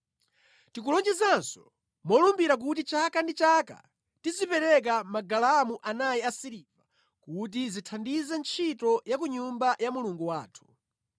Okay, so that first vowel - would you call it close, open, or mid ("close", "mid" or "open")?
close